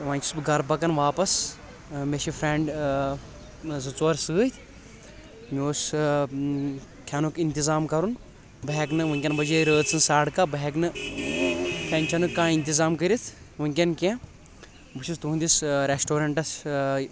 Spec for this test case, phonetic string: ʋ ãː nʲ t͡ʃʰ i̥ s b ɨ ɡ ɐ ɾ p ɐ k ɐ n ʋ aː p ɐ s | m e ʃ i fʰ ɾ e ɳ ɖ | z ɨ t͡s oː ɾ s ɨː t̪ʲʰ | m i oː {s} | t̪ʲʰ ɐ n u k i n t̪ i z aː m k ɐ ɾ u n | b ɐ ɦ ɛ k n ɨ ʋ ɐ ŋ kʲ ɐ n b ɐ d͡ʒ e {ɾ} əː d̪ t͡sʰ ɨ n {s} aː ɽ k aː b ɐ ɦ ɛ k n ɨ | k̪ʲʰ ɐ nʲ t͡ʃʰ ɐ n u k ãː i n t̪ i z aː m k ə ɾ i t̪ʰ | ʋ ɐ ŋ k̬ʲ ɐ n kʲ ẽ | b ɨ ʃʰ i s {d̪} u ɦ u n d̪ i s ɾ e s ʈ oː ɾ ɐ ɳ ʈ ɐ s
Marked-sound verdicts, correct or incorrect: correct, correct, correct, incorrect: t̪

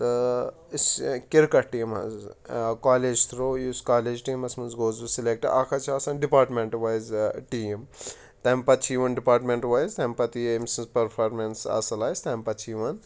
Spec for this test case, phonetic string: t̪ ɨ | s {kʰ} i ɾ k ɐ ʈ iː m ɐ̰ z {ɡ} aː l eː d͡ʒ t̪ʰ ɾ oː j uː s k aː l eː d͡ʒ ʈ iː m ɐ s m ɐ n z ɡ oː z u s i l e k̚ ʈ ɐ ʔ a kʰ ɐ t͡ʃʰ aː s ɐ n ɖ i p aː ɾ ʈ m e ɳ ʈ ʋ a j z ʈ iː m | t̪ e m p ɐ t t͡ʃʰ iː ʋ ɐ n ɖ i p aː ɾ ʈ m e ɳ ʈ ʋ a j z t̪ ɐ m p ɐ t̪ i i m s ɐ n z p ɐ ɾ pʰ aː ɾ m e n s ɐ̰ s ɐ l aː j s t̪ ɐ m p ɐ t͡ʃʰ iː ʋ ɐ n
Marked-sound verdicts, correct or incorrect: incorrect: k, incorrect: k

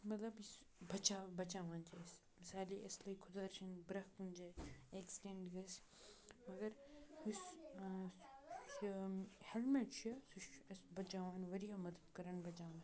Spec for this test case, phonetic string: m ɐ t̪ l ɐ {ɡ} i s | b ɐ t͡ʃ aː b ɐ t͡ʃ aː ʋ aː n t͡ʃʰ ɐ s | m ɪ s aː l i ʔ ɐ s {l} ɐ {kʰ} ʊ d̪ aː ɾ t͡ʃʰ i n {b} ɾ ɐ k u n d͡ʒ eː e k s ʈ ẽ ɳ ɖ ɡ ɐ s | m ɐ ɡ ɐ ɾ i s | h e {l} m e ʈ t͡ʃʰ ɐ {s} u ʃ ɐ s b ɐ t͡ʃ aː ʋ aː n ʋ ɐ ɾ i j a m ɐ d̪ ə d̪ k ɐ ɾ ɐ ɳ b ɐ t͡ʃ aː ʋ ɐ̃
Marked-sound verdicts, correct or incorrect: incorrect: b, correct, correct, correct, correct, correct

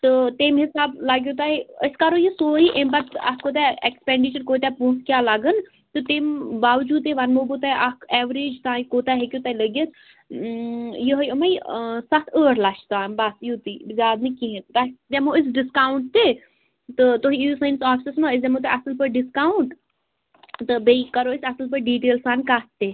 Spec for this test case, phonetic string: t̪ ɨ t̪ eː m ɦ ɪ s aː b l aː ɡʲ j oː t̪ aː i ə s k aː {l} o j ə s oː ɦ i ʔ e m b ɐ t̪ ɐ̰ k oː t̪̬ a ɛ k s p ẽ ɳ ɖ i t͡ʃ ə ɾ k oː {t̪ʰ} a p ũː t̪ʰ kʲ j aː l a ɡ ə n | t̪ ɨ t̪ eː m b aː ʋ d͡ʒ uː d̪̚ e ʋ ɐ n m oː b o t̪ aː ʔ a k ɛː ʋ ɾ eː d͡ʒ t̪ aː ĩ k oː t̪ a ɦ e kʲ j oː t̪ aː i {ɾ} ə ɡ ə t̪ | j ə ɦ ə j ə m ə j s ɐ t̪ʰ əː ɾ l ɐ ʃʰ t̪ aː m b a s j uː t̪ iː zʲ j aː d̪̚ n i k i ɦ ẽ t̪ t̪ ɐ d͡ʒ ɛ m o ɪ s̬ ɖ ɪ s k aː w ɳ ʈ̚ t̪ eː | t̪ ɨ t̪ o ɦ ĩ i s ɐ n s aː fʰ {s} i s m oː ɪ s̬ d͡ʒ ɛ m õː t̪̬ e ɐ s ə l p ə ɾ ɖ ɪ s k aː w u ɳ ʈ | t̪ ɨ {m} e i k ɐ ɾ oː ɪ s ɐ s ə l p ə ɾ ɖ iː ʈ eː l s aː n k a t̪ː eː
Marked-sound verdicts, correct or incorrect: incorrect: ɾ, incorrect: t̪, incorrect: l, correct, incorrect: b

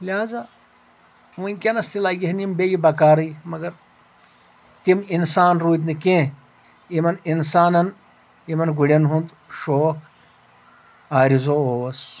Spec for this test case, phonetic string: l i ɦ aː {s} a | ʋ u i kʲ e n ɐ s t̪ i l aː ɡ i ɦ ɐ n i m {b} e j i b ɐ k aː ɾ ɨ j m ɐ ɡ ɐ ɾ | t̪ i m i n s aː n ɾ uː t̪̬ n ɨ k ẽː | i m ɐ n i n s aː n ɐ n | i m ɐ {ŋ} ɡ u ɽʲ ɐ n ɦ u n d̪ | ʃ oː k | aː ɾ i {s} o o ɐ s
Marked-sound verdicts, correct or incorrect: incorrect: z, correct, incorrect: n, incorrect: z

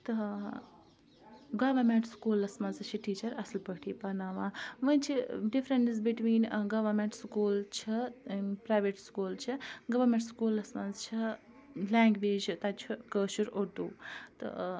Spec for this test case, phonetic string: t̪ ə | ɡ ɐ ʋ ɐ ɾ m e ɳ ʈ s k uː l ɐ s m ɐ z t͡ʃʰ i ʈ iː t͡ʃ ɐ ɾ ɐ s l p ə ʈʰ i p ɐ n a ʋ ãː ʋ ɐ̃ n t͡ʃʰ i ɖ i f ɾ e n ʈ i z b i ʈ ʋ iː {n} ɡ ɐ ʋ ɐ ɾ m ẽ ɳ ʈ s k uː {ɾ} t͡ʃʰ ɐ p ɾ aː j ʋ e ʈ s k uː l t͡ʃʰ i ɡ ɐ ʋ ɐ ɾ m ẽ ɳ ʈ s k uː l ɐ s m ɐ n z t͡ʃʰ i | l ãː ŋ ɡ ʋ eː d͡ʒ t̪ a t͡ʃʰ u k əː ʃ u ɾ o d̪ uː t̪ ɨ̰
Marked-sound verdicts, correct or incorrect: correct, incorrect: l

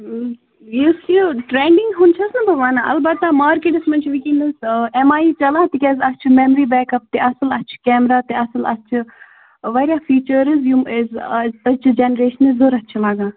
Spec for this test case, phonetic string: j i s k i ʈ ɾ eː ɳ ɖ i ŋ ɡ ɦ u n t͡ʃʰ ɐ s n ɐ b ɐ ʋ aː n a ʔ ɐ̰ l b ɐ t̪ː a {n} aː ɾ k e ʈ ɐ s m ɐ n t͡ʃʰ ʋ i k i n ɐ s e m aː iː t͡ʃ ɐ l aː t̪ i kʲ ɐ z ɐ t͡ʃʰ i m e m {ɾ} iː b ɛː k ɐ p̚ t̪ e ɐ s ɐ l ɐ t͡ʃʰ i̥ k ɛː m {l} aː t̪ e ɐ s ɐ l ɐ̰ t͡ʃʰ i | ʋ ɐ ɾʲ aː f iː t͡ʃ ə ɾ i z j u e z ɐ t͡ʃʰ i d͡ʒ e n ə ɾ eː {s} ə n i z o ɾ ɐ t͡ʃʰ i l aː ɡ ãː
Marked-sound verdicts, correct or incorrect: incorrect: m, correct, incorrect: ɾ, incorrect: ʃ

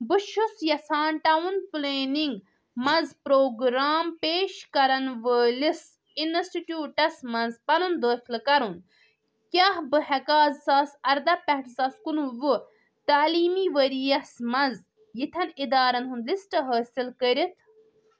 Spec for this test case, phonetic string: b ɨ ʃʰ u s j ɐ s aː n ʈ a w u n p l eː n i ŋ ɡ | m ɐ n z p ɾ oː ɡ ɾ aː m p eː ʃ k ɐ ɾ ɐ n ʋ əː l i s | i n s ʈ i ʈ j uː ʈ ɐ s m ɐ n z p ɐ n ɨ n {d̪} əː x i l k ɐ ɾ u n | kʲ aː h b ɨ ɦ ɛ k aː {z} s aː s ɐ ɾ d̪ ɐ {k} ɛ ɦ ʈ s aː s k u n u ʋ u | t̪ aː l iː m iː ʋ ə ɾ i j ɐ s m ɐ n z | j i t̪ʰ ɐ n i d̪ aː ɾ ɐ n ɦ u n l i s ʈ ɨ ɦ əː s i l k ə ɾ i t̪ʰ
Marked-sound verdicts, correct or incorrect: correct, correct, incorrect: p

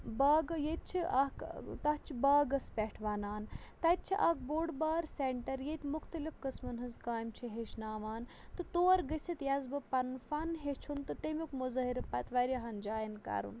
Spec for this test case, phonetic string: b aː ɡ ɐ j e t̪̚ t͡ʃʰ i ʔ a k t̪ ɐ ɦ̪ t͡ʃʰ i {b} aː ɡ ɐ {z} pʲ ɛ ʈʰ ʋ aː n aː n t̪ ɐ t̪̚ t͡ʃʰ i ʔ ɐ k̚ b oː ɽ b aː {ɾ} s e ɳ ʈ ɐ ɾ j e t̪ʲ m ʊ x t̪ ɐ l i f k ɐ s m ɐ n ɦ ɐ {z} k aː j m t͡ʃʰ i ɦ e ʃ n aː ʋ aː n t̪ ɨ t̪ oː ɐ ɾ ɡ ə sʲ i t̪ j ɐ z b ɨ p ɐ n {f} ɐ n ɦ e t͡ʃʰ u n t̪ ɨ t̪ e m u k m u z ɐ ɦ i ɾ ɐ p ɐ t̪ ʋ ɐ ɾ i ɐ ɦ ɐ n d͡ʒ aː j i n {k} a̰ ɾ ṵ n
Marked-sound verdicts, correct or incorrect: correct, incorrect: s, correct, correct, correct, correct

